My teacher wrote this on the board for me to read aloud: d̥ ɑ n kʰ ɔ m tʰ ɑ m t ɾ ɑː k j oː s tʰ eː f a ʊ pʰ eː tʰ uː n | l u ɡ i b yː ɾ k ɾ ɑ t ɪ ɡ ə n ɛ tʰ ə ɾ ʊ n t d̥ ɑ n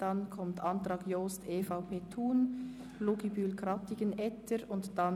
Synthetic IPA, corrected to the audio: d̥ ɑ n kʰ ɔ m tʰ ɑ n t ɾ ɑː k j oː s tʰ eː f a ʊ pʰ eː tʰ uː n | l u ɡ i b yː l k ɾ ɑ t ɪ ɡ ə n ɛ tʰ ə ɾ ʊ n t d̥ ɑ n